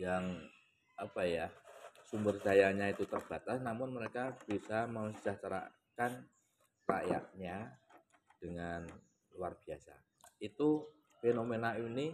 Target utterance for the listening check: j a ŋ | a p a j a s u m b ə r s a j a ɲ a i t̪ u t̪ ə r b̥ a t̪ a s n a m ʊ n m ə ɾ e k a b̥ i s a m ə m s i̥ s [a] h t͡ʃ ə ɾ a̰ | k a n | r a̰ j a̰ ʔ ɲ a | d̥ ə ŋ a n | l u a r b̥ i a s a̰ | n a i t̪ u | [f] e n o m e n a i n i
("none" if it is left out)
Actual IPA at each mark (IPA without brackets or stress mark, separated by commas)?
a, f